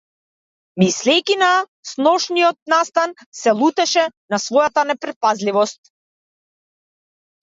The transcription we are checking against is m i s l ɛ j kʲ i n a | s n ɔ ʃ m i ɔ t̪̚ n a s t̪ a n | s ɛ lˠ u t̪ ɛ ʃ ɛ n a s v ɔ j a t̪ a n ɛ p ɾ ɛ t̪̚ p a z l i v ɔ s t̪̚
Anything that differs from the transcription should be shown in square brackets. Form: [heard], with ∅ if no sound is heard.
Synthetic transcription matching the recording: m i s l ɛ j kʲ i n a | s n ɔ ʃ [n] i ɔ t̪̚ n a s t̪ a n | s ɛ lˠ u t̪ ɛ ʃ ɛ n a s v ɔ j a t̪ a n ɛ p ɾ ɛ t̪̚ p a z l i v ɔ s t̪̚